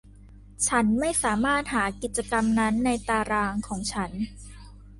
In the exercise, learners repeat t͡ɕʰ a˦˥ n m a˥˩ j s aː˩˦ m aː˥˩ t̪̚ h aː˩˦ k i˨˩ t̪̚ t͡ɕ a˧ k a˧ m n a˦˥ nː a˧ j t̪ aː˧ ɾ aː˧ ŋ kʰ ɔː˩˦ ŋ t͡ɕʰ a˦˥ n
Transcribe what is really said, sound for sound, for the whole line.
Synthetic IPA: t͡ɕʰ a˦˥ n m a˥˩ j s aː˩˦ m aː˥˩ t̪̚ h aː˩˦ k i˨˩ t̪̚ t͡ɕ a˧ k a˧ m n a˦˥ nː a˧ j t̪ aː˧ ɾ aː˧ ŋ kʰ ɔː˩˦ ŋ t͡ɕʰ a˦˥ n